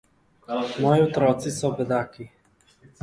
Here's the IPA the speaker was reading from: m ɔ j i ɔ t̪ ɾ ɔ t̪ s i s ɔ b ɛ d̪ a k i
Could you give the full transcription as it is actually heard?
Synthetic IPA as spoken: m ɔ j i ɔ t̪ ɾ ɔ t̪ s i s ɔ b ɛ d̪ a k i

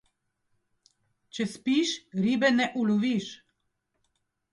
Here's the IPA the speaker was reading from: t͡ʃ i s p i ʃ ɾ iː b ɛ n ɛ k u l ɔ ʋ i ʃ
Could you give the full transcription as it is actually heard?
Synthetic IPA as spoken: t͡ʃ ɛ s p i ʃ ɾ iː b ɛ n ɛ ʔ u l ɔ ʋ i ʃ

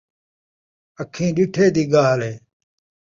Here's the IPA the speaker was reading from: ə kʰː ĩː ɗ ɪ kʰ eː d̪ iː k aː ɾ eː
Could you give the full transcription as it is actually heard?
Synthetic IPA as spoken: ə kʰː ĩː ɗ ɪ ʈʰ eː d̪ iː ɡ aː l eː

